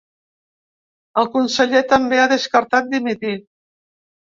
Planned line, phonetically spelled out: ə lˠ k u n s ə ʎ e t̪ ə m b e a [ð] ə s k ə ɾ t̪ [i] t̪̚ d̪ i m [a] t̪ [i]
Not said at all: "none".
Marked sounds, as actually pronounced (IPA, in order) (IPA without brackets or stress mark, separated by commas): ð, a, i, i